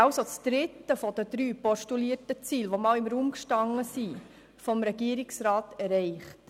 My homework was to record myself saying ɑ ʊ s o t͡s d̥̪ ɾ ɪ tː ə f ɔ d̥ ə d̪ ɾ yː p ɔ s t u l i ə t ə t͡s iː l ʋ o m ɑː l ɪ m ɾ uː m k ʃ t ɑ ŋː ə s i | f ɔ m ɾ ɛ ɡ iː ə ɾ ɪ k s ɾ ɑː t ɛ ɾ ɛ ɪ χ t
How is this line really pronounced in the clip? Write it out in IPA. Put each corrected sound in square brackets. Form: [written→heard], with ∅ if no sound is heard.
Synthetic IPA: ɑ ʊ s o t͡s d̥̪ ɾ ɪ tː ə f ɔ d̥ ə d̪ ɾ yː p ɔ [s→ʃ] t u l i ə t ə t͡s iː l ʋ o m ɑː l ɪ m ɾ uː m k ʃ t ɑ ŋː ə s i | f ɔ m ɾ ɛ ɡ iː ə ɾ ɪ k s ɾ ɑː t ɛ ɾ ɛ ɪ χ t